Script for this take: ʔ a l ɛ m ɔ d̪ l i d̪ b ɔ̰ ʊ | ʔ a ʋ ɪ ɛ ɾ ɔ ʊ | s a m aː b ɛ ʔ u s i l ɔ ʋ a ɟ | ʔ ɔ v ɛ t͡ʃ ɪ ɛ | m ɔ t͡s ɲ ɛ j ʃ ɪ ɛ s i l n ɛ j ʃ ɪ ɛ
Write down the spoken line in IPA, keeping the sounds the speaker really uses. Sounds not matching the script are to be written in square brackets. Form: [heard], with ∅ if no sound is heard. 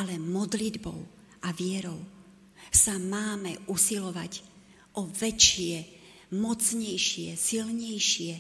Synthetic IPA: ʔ a l ɛ m ɔ d̪ l i d̪ b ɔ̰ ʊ | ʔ a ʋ ɪ ɛ ɾ ɔ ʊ | s a m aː [m] ɛ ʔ u s i l ɔ ʋ a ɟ | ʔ ɔ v ɛ t͡ʃ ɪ ɛ | m ɔ t͡s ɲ ɛ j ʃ ɪ ɛ s i l [ɲ] ɛ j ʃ ɪ ɛ